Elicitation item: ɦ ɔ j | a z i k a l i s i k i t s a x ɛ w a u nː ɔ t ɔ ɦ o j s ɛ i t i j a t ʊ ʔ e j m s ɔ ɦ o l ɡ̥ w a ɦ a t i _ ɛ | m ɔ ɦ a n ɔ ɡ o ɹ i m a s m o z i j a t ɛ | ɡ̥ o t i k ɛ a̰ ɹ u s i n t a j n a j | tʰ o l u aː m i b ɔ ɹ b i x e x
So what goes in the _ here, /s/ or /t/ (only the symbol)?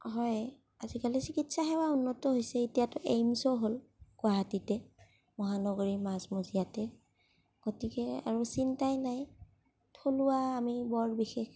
t